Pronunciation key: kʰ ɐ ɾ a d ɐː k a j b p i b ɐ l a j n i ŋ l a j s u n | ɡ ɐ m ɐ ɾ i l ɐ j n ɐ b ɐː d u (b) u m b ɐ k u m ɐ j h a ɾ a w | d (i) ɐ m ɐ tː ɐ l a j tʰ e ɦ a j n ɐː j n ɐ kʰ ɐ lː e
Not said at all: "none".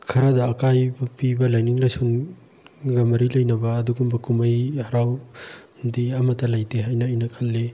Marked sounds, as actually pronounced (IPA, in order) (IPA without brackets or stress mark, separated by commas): ɡ, i